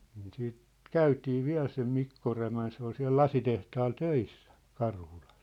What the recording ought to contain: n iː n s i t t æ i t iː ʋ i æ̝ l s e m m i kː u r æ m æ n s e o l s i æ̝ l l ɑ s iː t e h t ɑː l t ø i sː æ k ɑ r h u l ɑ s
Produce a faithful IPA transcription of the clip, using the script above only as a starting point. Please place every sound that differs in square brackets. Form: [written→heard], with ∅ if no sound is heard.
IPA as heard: n iː n s [i→iː] t [t→k] æ [i→y] t iː ʋ i æ̝ l s e m m i kː [u→o] r æ m æ n s e o l s i æ̝ l l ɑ s [iː→i] t e h t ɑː l t ø i sː æ k ɑ r h u l ɑ s

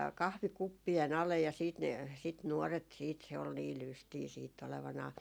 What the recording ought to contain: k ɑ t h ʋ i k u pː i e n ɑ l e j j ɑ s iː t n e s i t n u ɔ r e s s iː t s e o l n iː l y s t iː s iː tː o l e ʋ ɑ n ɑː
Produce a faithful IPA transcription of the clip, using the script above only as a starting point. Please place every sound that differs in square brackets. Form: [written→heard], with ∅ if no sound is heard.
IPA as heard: k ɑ [t→∅] h ʋ i k u pː i e n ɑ l e j j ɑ s iː t n e s i t n u ɔ r e [s→t] s iː t s e o l n iː l y s t iː s iː tː o l e ʋ ɑ n ɑː

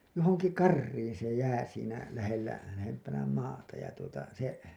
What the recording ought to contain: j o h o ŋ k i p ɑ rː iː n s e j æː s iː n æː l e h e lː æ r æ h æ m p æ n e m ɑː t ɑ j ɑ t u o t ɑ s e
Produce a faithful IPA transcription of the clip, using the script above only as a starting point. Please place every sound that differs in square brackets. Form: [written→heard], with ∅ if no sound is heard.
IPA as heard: j o h o ŋ k i [p→k] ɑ rː iː n s e j æː s iː n [æː→æ] l [e→æ] h e lː æ [r→l] æ h [æ→e] m p æ n [e→æ] m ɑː t ɑ j ɑ t u o t ɑ s e

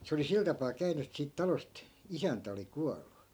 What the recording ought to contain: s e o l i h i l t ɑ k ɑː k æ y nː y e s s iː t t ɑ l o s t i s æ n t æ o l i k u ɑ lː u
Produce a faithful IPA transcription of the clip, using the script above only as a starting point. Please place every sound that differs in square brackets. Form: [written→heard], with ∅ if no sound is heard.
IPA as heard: s e o l i [h→s] i l t ɑ [k→p] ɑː k æ y [nː→n] y e [s→t] s iː t t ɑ l o s t i s æ n t æ o l i k u ɑ lː u

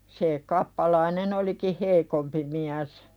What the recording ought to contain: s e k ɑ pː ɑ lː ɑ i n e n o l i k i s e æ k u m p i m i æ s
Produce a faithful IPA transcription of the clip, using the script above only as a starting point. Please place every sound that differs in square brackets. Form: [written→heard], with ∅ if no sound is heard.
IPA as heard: s e k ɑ pː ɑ [lː→l] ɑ i n e n o l i k i [s→h] e [æ→i] k [u→o] m p i m i æ s

